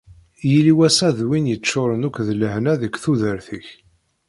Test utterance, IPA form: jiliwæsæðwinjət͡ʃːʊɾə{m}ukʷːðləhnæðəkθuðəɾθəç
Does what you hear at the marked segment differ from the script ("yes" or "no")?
yes